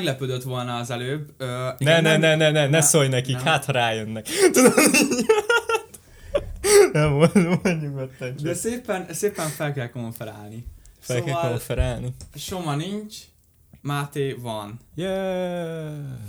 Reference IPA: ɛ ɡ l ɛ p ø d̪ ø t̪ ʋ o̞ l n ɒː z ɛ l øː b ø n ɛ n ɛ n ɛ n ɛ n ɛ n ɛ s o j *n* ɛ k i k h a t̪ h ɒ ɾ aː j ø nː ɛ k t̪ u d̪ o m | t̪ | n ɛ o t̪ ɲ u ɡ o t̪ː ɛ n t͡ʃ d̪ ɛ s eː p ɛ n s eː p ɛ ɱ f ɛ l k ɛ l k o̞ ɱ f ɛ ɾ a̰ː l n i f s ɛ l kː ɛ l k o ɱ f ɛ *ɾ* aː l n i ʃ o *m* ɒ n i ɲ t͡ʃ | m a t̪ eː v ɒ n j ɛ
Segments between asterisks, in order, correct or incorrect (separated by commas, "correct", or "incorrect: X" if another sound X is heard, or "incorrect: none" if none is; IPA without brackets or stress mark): correct, correct, correct